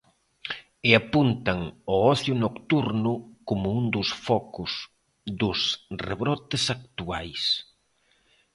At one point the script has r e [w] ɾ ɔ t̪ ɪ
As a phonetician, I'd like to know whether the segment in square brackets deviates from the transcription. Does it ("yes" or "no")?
yes